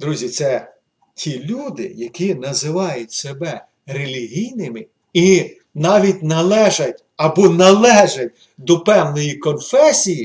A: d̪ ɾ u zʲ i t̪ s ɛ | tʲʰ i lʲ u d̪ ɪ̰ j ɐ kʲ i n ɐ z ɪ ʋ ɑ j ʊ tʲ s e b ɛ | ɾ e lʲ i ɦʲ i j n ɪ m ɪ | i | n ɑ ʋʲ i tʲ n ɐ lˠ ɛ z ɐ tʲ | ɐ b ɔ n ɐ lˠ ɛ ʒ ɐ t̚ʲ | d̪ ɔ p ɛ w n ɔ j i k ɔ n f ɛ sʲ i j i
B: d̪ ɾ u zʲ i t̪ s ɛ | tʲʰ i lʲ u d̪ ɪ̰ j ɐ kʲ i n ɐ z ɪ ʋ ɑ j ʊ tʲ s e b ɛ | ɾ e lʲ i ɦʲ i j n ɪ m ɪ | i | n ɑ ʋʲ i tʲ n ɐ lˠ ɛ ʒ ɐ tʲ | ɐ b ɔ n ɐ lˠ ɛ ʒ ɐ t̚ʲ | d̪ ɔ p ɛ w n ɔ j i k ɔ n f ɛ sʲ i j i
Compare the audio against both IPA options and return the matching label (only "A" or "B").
B